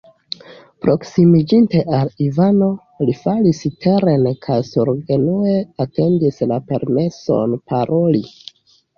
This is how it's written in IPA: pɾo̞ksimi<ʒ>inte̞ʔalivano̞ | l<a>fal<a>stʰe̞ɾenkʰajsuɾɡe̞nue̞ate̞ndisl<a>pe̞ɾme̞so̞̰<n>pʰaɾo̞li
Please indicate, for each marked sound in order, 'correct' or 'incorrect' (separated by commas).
incorrect, incorrect, incorrect, correct, correct